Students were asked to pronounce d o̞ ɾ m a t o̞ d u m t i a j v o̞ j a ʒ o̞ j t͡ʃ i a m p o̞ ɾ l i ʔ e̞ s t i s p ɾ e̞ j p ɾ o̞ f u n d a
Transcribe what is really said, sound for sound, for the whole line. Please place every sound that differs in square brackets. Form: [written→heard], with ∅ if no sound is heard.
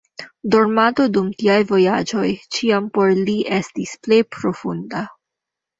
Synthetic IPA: d o̞ ɾ m a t o̞ d u m t i a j v o̞ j a [ʒ→d͡ʒ] o̞ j t͡ʃ i a m p o̞ ɾ l i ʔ e̞ s t i s p [ɾ→l] e̞ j p ɾ o̞ f u n d a